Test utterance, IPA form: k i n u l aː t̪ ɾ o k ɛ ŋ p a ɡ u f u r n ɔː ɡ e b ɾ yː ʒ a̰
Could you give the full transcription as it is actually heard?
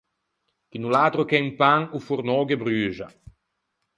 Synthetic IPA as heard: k i n u l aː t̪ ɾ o k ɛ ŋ p a ŋ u f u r n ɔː ɡ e b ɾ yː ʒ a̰